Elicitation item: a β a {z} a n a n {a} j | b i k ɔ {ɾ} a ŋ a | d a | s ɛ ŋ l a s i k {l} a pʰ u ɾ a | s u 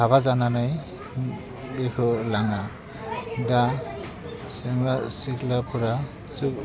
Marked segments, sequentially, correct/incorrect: correct, correct, incorrect, correct

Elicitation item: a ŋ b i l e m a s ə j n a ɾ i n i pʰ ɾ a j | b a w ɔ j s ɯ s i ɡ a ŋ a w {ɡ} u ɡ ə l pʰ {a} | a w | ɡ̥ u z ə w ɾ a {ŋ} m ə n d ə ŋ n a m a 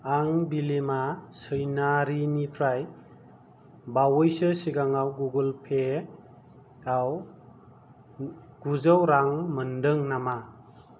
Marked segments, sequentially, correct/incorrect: correct, incorrect, correct

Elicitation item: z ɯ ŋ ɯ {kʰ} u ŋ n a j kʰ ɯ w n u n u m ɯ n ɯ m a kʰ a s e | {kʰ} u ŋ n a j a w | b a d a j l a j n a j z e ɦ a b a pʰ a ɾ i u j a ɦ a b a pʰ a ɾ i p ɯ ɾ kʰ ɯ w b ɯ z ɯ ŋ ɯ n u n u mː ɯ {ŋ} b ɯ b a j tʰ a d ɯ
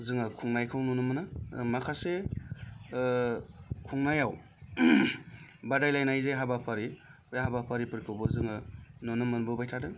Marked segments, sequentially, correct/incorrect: correct, correct, incorrect

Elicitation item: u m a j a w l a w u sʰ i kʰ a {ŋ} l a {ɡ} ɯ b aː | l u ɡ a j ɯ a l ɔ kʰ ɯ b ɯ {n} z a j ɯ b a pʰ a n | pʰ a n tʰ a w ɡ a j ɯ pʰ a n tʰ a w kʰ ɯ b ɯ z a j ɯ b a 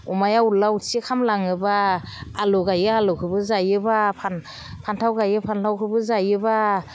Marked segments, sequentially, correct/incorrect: incorrect, incorrect, incorrect

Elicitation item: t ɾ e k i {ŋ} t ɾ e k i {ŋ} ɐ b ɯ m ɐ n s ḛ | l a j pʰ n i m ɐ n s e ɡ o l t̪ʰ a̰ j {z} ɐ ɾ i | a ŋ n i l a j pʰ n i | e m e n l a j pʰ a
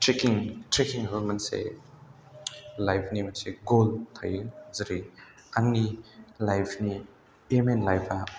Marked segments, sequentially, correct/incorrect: correct, correct, correct

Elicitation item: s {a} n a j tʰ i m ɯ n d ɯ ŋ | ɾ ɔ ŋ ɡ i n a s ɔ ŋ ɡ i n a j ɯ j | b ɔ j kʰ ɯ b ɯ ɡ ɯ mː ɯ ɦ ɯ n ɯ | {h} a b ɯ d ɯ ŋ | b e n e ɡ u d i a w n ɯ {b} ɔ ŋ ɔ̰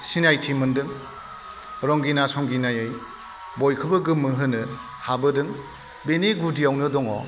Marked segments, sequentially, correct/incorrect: incorrect, correct, incorrect

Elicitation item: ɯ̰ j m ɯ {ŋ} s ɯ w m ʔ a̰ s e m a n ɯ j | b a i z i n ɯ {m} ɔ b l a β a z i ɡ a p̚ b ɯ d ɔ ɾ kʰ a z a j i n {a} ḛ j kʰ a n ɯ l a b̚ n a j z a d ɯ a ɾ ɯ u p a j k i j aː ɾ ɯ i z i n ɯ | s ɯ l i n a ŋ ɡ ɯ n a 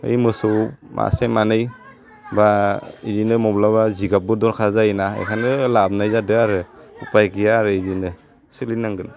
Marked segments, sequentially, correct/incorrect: incorrect, correct, correct

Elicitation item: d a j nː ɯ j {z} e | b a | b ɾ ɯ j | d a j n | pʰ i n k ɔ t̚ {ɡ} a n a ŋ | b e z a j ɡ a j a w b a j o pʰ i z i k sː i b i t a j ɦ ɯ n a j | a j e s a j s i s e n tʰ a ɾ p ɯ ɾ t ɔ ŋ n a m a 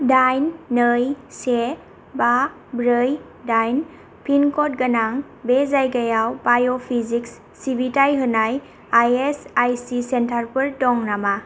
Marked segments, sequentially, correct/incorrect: incorrect, correct

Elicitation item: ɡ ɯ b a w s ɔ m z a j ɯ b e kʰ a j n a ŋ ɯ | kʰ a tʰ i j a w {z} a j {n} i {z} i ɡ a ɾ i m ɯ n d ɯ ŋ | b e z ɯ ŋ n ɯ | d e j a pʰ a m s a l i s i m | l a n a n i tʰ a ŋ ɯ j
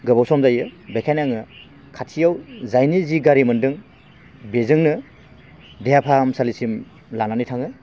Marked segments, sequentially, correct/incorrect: correct, correct, correct

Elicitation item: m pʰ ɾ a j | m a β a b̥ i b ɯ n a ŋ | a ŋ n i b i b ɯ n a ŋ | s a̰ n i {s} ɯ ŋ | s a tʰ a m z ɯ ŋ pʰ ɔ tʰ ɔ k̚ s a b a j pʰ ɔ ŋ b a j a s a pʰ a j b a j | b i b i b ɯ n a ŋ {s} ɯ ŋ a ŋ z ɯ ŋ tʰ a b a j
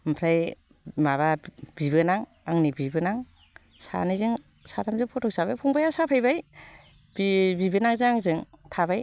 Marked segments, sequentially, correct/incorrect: incorrect, incorrect

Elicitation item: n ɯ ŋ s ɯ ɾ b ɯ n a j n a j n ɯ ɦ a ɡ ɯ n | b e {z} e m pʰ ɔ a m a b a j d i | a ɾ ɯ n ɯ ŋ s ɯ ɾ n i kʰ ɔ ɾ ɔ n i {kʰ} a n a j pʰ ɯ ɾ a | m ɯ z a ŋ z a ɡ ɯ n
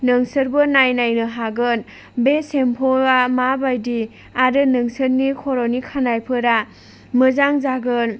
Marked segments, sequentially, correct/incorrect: incorrect, correct

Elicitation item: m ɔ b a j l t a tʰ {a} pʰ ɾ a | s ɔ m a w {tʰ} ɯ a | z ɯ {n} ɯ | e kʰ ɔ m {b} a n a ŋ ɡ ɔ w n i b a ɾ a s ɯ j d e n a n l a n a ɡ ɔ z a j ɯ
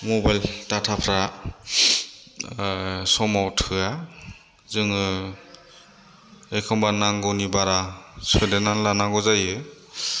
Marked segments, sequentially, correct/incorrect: correct, correct, incorrect, correct

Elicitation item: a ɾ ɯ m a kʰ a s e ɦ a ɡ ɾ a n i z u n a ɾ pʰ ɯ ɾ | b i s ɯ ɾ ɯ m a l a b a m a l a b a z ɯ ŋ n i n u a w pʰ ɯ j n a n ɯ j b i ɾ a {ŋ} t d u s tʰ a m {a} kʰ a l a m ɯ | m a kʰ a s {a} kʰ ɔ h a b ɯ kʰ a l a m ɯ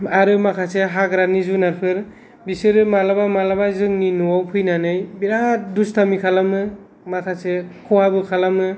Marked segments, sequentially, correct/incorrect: incorrect, incorrect, incorrect

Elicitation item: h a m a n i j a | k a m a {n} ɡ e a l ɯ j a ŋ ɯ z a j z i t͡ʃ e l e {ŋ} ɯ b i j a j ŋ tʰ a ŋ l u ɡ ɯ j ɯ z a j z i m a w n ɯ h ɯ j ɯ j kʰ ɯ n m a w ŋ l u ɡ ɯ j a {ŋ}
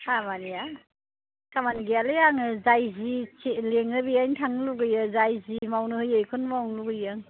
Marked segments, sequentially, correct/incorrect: correct, correct, correct

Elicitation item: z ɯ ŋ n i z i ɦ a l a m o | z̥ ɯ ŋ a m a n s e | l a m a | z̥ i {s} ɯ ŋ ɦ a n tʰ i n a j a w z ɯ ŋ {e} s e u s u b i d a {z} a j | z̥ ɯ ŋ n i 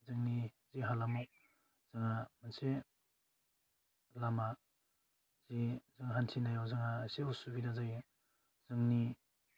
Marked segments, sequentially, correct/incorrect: incorrect, incorrect, correct

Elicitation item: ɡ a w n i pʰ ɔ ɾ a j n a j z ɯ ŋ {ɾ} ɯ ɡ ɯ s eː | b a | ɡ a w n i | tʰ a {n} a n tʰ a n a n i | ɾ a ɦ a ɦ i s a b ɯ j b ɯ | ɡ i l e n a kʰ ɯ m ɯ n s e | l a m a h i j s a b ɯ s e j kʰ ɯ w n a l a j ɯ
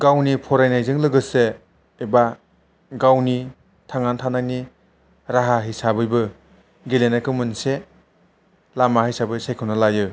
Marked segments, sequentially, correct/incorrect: incorrect, incorrect

